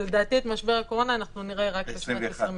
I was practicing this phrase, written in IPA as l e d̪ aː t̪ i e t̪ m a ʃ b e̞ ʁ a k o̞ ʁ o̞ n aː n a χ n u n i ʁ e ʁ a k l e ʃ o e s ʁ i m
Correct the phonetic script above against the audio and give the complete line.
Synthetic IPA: l e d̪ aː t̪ i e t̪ m a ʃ b e̞ ʁ a k o̞ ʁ o̞ n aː n a χ n u n i ʁ e ʁ a k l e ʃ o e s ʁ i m